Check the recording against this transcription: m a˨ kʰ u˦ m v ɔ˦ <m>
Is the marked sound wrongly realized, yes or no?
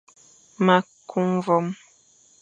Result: no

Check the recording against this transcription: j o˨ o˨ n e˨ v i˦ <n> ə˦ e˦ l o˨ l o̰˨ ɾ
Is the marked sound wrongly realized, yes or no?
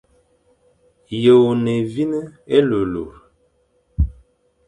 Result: no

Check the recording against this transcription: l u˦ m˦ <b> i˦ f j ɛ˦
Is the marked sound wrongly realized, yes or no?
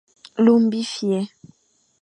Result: no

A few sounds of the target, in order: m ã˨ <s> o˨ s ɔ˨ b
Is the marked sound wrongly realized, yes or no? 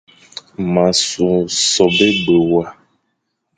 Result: no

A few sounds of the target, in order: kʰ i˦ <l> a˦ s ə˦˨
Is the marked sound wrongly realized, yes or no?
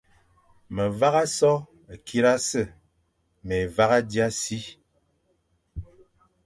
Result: yes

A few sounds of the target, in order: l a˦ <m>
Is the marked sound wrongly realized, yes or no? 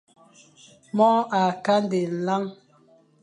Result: yes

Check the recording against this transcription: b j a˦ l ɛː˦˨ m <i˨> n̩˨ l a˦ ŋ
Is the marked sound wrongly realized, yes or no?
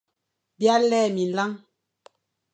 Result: no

